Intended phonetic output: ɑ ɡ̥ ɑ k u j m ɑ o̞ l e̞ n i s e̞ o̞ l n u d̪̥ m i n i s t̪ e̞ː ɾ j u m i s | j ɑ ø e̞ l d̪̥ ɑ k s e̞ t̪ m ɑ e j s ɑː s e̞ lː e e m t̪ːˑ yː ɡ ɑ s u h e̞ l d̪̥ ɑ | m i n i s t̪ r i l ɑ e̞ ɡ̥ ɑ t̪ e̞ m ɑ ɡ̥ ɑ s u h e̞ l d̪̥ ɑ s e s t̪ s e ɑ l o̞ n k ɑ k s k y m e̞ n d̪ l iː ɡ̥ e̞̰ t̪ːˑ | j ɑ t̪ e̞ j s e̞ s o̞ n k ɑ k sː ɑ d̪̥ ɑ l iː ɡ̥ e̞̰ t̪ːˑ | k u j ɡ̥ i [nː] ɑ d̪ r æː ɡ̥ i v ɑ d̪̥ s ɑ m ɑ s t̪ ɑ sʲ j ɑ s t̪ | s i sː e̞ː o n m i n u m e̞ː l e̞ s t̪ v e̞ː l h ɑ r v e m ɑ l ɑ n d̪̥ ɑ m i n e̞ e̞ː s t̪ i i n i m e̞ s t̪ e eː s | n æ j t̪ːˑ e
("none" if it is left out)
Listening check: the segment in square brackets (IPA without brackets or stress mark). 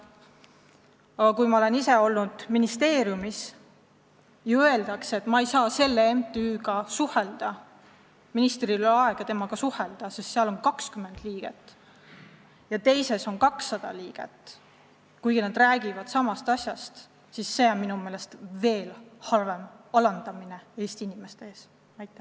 n